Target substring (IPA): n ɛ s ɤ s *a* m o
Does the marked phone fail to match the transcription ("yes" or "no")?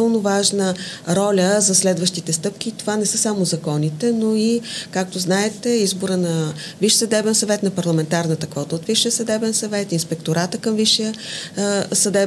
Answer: no